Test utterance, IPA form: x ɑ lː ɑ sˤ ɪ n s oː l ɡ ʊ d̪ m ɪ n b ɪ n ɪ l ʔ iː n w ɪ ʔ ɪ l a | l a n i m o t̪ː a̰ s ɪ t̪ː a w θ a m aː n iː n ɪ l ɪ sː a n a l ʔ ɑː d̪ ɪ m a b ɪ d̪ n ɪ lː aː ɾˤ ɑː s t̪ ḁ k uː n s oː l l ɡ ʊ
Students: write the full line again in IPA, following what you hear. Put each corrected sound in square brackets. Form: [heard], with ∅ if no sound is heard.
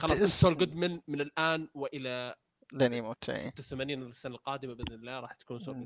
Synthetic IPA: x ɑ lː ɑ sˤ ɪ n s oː l ɡ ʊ d̪ m ɪ n [m] ɪ n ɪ l ʔ [aː] n w ɪ ʔ ɪ l a | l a n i m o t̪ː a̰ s ɪ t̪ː a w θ a m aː n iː n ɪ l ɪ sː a n a l [q] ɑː d̪ ɪ m a b ɪ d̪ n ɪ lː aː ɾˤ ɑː [ħ] t̪ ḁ k uː n s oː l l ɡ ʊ